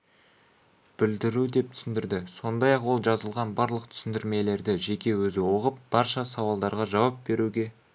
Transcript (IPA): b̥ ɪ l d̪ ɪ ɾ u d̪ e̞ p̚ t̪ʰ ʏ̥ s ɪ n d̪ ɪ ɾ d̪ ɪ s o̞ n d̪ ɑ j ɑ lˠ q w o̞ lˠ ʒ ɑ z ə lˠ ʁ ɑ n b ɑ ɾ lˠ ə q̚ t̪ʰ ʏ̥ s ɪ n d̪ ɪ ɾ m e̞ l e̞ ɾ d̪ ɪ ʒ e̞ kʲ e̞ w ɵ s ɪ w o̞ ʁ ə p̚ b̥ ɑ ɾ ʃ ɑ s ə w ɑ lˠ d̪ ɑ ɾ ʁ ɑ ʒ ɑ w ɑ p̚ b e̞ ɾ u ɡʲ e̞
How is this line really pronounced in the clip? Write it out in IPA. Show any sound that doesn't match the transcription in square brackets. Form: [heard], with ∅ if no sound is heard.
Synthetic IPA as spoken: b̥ ɪ l d̪ ɪ ɾ u d̪ e̞ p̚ t̪ʰ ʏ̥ s ɪ n d̪ ɪ ɾ d̪ ɪ s o̞ n d̪ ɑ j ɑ [∅] q w o̞ lˠ ʒ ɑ z ə lˠ ʁ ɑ n b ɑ ɾ lˠ ə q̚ t̪ʰ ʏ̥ s ɪ n d̪ ɪ ɾ m e̞ l e̞ ɾ d̪ ɪ ʒ e̞ kʲ e̞ w ɵ [z] ɪ w o̞ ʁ ə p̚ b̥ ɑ ɾ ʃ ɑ s [ɑ] w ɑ lˠ d̪ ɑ ɾ ʁ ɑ ʒ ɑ w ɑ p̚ b e̞ ɾ u ɡʲ e̞